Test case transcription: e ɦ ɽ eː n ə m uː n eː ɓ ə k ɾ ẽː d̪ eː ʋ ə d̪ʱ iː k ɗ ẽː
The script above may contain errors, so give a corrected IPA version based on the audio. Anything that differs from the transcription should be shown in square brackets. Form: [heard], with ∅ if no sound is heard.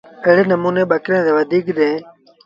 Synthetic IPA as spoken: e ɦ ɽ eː n ə m uː n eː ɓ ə k ɾ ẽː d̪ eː ʋ ə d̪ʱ iː k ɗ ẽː

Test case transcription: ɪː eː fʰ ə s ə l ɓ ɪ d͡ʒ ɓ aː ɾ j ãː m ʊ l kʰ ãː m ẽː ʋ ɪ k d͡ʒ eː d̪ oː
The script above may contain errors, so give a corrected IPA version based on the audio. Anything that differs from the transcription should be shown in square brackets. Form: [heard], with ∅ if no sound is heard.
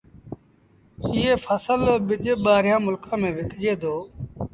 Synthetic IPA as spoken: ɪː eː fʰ ə s ə l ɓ ɪ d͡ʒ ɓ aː ɾ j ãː m ʊ l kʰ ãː m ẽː ʋ ɪ k d͡ʒ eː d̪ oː

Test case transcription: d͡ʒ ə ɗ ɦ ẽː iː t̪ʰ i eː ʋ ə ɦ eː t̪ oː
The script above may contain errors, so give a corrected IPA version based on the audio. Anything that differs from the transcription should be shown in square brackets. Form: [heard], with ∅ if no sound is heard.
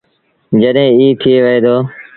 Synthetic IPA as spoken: d͡ʒ ə ɗ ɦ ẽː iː t̪ʰ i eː ʋ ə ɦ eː [d̪] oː

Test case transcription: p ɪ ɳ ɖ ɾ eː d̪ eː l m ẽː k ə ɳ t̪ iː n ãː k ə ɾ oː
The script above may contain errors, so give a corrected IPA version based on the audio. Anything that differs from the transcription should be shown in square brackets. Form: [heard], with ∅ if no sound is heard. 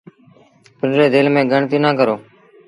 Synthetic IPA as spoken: p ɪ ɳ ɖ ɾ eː d̪ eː l m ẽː [ɡ] ə ɳ t̪ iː n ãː k ə ɾ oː

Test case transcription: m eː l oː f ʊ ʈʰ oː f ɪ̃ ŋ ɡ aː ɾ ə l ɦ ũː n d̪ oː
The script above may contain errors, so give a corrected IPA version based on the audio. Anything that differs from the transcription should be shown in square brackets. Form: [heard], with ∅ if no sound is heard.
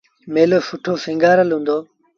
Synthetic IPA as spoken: m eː l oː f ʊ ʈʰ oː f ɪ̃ ŋ ɡ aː ɾ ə l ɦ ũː n d̪ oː

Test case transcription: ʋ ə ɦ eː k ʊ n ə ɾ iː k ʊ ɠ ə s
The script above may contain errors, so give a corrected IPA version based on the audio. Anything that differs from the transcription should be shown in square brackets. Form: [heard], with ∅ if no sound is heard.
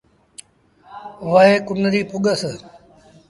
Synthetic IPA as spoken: ʋ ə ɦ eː k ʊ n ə ɾ iː [p] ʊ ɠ ə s

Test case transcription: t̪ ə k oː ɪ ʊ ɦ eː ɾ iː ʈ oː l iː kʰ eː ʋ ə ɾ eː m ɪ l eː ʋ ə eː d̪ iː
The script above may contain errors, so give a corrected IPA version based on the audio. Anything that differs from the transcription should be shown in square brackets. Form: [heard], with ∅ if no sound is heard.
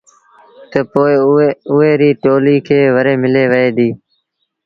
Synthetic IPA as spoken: t̪ ə [p] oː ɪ ʊ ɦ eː ɾ iː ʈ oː l iː kʰ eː ʋ ə ɾ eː m ɪ l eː ʋ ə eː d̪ iː

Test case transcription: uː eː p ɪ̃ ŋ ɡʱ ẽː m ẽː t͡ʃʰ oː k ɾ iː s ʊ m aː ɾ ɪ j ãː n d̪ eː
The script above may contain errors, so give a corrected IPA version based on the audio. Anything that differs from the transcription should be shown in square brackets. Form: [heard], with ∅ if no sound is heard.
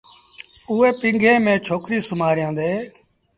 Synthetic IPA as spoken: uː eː p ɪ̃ ŋ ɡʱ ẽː m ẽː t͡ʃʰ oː k ɾ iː s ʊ m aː ɾ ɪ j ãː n d̪ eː

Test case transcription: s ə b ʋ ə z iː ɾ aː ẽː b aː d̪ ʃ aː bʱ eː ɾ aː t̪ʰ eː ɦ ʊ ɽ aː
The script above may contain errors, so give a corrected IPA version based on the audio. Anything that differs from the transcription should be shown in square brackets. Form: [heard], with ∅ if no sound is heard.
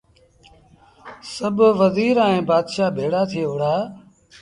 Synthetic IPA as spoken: s ə b ʋ ə z iː ɾ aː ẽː b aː d̪ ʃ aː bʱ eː [ɽ] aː t̪ʰ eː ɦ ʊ ɽ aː

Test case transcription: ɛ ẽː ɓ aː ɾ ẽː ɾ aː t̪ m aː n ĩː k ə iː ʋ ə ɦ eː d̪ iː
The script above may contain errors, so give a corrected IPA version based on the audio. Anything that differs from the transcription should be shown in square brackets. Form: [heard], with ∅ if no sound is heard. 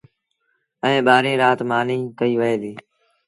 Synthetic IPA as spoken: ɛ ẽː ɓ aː ɾ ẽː ɾ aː t̪ m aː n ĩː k ə iː ʋ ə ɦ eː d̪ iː

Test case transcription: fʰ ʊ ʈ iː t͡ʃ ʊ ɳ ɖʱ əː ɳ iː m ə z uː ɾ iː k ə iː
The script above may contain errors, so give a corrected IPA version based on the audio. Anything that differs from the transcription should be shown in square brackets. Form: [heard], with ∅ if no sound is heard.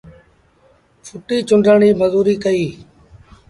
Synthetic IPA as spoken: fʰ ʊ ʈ iː t͡ʃ ʊ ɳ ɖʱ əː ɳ iː m ə z uː ɾ iː k ə iː

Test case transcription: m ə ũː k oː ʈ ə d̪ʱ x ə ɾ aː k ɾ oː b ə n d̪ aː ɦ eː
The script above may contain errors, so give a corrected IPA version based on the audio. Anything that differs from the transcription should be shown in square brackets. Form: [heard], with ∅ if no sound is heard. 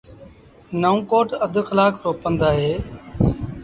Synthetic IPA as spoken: [n] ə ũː k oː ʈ ə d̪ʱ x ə [l] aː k ɾ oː [p] ə n d̪ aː ɦ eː

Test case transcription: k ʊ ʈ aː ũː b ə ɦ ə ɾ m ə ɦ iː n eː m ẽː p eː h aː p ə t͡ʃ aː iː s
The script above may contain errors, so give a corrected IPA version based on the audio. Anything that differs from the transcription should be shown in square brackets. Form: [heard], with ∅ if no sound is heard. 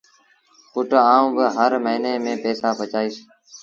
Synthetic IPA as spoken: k ʊ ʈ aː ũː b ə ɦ ə ɾ m ə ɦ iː n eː m ẽː p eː [s] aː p ə t͡ʃ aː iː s

